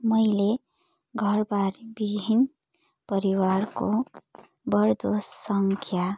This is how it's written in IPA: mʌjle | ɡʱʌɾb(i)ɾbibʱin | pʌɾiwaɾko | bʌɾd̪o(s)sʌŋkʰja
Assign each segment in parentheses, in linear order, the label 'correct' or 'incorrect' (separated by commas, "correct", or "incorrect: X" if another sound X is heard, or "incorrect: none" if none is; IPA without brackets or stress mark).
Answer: incorrect: a, correct